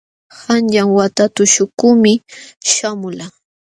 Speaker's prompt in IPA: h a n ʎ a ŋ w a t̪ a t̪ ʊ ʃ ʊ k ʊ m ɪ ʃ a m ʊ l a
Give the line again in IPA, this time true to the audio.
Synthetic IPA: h a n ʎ a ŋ w a t̪ a t̪ ʊ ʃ ʊ k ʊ m ɪ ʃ a m ʊ l a